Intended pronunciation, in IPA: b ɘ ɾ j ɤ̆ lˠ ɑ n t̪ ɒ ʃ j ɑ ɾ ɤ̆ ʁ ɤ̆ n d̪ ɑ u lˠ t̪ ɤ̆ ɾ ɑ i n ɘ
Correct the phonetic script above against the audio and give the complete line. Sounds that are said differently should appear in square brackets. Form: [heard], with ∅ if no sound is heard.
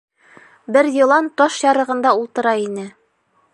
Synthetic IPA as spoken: b ɘ ɾ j ɤ̆ lˠ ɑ n t̪ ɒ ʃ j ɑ ɾ ɤ̆ ʁ ɤ̆ n d̪ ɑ u lˠ t̪ ɤ̆ ɾ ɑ i n ɘ